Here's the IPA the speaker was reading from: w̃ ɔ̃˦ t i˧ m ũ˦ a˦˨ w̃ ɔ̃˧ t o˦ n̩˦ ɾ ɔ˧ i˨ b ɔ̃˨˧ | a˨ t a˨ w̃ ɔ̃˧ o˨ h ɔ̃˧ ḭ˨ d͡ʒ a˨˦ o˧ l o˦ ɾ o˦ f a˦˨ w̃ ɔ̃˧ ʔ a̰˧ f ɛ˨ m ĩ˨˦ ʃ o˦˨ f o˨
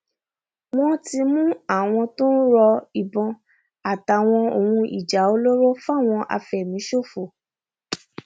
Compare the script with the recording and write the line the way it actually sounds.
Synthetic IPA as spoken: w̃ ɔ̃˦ t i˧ m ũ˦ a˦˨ w̃ ɔ̃˧ t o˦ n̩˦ ɾ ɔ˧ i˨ b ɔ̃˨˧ | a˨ t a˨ w̃ ɔ̃˧ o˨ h ũ˧ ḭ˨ d͡ʒ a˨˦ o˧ l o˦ ɾ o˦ f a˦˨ w̃ ɔ̃˧ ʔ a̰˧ f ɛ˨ m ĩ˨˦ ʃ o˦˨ f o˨

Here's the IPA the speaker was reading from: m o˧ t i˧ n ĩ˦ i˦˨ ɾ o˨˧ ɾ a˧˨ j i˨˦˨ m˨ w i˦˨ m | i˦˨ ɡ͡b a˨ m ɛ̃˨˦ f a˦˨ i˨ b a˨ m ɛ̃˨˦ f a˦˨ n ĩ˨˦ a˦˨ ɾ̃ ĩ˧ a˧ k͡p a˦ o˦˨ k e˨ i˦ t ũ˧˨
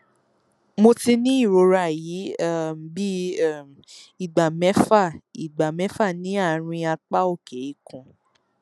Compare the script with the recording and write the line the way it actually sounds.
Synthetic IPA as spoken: m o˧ t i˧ n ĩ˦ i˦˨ ɾ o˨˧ ɾ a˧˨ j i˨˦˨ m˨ b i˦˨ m | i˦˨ ɡ͡b a˨ m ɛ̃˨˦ f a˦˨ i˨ ɡ͡b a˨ m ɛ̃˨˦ f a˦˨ n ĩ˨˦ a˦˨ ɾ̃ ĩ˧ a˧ k͡p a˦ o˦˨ k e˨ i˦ k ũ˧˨

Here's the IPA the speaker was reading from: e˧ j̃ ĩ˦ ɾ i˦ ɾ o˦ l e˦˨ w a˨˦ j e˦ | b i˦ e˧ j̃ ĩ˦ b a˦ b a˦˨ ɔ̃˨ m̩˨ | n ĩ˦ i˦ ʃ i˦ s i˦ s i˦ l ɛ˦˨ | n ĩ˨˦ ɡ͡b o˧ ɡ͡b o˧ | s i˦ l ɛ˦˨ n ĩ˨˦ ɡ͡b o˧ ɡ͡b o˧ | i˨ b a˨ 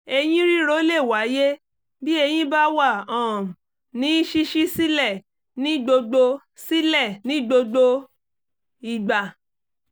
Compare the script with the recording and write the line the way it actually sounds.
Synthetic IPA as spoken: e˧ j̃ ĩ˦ ɾ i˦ ɾ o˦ l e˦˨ w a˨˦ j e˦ | b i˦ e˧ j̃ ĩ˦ b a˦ w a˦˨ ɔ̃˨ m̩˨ | n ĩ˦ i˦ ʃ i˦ ʃ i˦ s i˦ l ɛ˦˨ | n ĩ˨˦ ɡ͡b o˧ ɡ͡b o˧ | s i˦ l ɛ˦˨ n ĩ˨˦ ɡ͡b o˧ ɡ͡b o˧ | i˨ ɡ͡b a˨

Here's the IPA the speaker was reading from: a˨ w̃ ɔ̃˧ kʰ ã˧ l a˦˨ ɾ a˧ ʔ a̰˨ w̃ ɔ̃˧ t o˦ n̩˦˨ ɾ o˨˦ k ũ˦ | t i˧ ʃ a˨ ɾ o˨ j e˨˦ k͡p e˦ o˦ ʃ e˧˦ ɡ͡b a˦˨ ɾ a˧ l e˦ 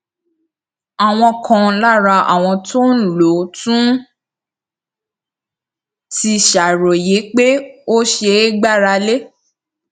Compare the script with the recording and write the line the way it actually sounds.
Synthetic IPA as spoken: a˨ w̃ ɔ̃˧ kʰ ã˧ l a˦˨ ɾ a˧ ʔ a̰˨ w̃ ɔ̃˧ t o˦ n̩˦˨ l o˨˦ t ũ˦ | t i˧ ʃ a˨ ɾ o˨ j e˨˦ k͡p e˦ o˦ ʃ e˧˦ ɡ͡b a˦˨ ɾ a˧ l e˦

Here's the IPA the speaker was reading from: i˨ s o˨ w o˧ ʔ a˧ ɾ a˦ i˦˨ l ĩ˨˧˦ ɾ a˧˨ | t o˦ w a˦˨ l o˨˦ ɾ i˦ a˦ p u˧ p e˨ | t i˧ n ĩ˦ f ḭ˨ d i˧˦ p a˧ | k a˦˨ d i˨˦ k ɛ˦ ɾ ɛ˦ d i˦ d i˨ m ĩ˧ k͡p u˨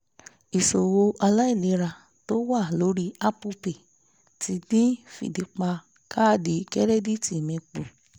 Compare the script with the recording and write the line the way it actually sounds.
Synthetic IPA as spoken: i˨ s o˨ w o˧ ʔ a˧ l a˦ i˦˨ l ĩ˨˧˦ ɾ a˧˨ | t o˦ w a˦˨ l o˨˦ ɾ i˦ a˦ p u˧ p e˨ | t i˧ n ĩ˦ f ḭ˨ d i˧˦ k͡p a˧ | k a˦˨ d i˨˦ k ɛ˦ ɾ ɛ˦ d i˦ t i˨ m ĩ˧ k͡p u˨

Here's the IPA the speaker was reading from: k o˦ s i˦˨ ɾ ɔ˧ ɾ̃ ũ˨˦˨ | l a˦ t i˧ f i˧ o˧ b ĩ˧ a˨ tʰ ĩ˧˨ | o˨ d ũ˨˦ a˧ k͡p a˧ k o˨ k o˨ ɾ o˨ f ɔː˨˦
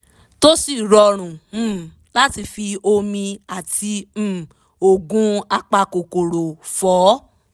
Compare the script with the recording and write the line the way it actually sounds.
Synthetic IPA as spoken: t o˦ s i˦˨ ɾ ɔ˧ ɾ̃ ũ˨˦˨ | l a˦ t i˧ f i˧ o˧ m ĩ˧ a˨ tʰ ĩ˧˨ | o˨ ɡ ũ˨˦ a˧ k͡p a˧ k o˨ k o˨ ɾ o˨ f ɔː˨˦

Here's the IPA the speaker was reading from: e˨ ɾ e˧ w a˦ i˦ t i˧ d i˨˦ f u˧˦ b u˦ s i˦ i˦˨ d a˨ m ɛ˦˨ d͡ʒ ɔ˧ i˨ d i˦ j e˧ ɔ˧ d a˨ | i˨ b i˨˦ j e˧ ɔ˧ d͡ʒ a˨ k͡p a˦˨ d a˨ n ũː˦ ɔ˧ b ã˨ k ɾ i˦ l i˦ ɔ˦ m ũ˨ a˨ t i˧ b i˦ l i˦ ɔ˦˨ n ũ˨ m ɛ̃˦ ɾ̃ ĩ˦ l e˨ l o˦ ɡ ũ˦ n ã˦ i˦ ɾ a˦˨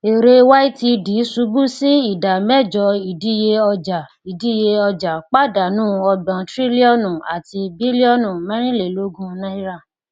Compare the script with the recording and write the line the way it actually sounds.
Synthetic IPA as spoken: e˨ ɾ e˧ w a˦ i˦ t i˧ d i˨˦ s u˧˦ b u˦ s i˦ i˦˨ d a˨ m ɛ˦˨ d͡ʒ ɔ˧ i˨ d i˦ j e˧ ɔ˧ d͡ʒ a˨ | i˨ d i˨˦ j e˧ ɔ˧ d͡ʒ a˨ k͡p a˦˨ d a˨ n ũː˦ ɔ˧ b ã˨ t ɾ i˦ l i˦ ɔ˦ n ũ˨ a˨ t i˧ b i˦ l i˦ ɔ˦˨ n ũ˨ m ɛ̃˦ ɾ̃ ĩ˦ l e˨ l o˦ ɡ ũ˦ n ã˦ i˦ ɾ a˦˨

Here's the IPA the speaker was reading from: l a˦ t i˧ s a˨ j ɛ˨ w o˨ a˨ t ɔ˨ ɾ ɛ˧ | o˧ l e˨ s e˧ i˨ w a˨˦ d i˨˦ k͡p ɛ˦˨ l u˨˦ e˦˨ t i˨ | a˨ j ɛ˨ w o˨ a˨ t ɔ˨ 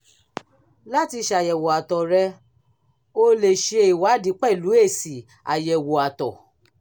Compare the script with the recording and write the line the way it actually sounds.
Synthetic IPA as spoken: l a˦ t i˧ ʃ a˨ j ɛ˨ w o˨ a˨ t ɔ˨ ɾ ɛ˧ | o˧ l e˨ ʃ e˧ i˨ w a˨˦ d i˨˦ k͡p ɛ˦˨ l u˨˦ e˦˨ s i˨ | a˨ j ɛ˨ w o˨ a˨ t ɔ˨

